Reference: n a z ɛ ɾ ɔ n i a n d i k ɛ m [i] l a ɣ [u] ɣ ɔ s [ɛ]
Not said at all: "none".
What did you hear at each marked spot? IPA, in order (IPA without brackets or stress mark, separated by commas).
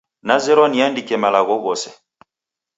a, ɔ, ɛ